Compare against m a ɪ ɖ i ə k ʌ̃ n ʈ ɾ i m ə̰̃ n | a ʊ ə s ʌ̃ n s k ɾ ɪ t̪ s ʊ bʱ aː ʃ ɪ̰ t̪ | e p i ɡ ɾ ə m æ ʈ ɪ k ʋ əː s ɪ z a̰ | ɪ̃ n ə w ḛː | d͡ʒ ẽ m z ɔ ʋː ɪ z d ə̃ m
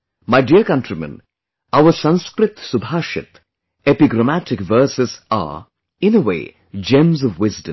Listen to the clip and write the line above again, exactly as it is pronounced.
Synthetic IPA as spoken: m a ɪ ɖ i ə k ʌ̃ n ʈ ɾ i m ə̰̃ n | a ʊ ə s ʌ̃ n s k ɾ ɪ t̪ s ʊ bʱ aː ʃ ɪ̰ t̪ | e p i ɡ ɾ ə m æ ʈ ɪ k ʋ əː s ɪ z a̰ | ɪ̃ n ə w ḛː | d͡ʒ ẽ m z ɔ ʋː ɪ z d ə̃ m

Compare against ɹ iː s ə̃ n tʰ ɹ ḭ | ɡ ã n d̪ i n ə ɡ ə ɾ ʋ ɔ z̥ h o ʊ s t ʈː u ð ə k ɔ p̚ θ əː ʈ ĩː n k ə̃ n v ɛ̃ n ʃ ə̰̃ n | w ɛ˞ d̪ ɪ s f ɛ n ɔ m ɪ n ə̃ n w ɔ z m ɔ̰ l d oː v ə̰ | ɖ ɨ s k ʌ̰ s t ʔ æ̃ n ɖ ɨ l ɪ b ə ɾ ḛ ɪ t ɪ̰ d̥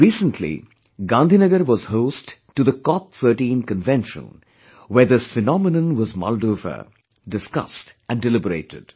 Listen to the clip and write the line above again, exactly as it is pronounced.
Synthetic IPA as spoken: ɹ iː s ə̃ n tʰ l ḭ | ɡ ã n d̪ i n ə ɡ ə ɾ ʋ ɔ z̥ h o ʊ s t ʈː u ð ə k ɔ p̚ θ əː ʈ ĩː n k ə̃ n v ɛ̃ n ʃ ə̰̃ n | w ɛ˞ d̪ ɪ s f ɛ n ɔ m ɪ n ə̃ n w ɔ z m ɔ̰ l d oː v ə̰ | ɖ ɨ s k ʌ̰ s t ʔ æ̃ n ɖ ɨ l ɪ b ə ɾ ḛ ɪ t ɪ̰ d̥

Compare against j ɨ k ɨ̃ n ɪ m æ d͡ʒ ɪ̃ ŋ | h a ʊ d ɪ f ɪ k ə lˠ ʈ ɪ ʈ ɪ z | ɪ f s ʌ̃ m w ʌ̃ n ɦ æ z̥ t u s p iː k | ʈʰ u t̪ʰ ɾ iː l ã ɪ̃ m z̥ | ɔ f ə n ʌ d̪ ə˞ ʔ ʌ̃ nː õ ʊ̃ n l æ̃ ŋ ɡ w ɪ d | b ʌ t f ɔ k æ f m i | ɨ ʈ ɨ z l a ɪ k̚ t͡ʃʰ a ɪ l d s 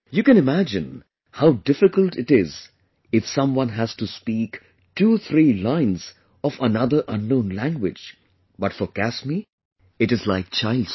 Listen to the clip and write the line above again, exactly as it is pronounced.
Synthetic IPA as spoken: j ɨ k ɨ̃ n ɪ m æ d͡ʒ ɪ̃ n | h a ʊ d ɪ f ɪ k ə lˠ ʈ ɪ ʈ ɪ z | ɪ f s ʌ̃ m w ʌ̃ n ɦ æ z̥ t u s p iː k | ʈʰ u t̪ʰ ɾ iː l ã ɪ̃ n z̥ | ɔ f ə n ʌ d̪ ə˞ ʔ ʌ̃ nː õ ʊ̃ n l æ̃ ŋ ɡ w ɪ d͡ʒ | b ʌ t f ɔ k æ s m i | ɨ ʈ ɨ z l a ɪ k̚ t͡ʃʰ a ɪ l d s

